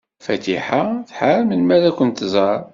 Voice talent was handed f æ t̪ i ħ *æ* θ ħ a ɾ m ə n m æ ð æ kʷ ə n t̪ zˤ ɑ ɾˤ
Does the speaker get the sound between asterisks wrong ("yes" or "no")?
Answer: yes